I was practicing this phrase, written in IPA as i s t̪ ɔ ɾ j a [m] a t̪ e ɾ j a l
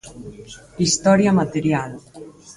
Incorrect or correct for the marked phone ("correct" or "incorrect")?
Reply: correct